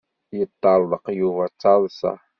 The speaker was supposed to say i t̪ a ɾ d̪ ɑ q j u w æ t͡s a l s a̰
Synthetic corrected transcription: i t̪ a l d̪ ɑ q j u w a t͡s a l s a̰

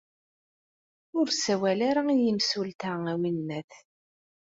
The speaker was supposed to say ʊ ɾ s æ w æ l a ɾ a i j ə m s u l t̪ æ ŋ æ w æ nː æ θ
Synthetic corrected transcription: ʊ ɾ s æ w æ l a ɾ a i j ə m s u l t̪ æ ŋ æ w i nː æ θ

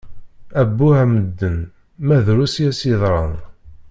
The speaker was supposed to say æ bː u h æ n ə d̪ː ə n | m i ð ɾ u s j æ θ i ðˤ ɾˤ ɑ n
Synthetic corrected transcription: æ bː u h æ m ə d̪ː ə n | m æ ð ɾ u s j æ s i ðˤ ɾˤ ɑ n

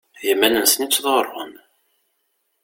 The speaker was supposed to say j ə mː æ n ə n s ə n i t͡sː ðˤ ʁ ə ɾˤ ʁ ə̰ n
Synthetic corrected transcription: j ə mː æ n ə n s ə n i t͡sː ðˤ ʁ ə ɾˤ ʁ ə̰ n

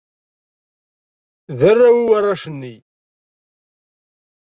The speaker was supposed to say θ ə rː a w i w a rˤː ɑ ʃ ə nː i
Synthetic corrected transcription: ð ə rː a w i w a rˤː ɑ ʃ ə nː i

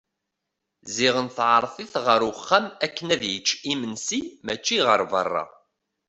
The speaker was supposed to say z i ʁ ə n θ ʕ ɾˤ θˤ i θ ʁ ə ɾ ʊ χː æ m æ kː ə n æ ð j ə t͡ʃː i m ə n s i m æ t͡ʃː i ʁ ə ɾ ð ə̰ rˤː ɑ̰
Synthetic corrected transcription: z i ʁ ə n θ ʕ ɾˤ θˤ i θ ʁ ə ɾ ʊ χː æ m æ kː ə n æ ð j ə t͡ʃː i m ə n s i m æ t͡ʃː i ʁ ə ɾ v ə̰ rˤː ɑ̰

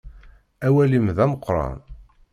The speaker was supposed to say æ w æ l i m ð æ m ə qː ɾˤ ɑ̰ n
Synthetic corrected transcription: æ w æ l i m ð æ m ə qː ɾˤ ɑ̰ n

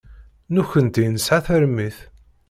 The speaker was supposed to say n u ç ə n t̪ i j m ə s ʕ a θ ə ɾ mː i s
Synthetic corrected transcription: n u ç ə n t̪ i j n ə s ʕ a θ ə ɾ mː i θ

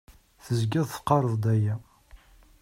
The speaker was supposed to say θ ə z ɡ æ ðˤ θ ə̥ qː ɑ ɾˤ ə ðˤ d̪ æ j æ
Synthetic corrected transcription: θ ə z ɡ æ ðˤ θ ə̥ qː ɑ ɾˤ ə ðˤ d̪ æ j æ

